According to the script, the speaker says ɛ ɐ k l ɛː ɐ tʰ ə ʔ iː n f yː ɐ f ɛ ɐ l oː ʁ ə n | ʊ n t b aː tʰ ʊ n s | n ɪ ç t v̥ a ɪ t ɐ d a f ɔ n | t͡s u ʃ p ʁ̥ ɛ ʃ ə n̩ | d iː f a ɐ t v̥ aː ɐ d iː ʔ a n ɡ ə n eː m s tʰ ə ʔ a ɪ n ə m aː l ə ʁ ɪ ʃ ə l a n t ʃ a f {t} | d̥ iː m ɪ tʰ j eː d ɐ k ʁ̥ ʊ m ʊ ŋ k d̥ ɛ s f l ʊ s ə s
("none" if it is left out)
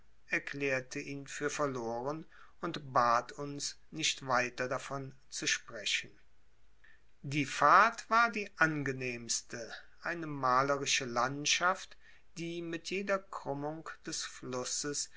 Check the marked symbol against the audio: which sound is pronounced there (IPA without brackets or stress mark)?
t